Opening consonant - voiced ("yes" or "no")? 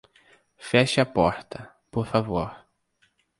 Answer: no